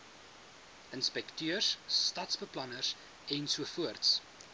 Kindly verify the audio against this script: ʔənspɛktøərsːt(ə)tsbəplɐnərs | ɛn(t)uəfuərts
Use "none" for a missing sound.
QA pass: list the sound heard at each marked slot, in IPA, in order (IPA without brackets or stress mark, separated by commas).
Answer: ɐ, s